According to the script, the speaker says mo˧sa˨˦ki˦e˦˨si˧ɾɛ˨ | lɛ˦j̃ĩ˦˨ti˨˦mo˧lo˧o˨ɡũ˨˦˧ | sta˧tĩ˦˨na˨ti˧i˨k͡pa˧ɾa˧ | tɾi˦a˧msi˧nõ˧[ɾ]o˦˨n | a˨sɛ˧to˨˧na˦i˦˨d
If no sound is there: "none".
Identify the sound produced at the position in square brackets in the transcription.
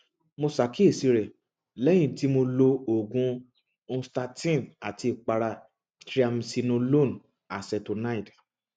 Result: l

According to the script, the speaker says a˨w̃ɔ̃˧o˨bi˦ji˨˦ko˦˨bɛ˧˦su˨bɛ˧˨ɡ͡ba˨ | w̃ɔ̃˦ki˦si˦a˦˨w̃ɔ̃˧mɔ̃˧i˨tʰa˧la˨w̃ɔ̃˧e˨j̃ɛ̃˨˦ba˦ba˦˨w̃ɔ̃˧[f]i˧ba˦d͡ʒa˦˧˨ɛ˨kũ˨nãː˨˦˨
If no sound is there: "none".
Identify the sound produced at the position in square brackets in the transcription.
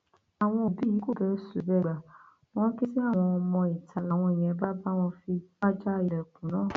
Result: f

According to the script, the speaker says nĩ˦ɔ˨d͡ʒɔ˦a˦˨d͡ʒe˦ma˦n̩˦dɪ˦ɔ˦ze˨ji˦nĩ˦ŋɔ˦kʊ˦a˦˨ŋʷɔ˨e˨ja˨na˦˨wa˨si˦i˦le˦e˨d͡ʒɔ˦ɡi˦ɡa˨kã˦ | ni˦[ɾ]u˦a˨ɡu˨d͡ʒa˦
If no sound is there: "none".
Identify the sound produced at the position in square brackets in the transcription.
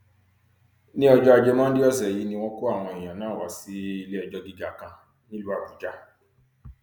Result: l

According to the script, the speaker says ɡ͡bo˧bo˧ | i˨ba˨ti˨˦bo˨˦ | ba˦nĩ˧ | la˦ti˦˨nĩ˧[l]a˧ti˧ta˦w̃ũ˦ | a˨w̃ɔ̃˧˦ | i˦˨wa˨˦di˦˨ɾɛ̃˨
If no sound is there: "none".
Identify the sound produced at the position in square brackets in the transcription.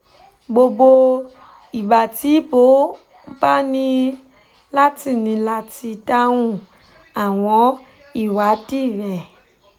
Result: l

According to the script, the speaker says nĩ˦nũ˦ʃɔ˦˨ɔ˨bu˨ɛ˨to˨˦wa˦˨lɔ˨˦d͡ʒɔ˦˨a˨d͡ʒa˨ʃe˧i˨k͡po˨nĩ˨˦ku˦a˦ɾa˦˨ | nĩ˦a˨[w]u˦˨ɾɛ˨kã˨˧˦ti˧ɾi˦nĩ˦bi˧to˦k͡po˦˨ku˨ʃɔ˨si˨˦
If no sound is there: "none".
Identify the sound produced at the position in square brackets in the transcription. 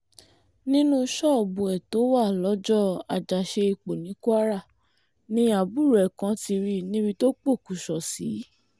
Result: b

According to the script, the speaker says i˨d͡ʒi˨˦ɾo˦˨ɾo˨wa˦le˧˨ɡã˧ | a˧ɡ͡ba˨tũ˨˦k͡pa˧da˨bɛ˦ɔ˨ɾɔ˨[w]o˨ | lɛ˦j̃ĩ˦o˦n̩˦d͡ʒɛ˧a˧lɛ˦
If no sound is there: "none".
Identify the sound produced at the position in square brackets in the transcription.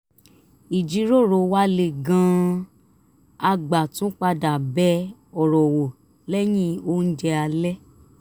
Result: w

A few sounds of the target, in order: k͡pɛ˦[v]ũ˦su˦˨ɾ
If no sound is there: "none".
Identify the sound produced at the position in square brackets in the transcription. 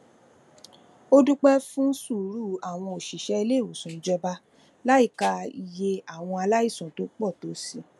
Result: f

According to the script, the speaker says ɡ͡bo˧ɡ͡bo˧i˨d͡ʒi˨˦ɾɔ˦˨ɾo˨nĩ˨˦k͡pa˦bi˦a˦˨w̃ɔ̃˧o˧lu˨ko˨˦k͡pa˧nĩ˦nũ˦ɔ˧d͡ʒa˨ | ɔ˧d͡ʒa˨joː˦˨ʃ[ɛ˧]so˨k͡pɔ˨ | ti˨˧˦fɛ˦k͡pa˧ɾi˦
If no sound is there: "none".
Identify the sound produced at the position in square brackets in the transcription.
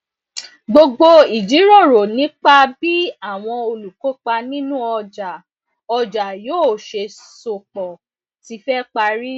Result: e˧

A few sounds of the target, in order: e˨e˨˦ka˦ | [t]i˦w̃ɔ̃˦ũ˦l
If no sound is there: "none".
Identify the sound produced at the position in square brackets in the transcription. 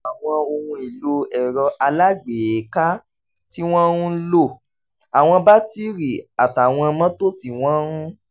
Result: t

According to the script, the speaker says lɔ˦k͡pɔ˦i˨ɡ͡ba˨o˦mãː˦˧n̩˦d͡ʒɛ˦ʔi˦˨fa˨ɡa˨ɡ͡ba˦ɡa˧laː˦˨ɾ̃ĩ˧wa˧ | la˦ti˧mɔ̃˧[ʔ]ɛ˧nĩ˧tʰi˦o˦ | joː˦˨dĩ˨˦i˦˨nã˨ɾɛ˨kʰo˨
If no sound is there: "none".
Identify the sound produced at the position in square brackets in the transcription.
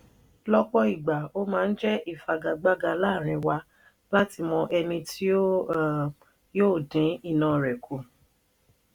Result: ʔ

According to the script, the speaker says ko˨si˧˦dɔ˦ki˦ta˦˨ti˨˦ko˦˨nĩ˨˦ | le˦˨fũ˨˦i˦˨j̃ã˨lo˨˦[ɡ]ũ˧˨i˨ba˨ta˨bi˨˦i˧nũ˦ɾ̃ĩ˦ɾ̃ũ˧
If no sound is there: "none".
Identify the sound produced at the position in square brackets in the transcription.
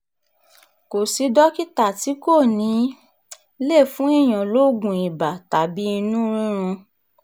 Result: ɡ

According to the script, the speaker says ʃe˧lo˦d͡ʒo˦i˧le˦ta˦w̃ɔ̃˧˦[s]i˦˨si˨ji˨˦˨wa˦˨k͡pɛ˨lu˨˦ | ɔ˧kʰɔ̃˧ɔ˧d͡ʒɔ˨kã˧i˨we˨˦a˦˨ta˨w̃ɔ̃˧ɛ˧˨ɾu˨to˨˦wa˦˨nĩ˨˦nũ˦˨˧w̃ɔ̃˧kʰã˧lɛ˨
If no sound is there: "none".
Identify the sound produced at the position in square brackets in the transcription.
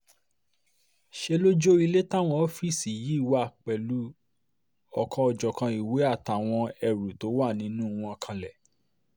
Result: f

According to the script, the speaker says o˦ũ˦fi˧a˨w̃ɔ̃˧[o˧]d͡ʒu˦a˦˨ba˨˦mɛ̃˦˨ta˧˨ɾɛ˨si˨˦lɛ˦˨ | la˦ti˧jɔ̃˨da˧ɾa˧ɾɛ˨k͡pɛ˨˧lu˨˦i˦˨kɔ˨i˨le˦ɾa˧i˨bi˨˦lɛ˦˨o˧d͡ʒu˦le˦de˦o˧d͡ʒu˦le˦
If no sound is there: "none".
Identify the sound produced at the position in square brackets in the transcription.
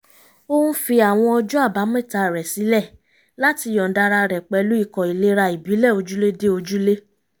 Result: ɔ˧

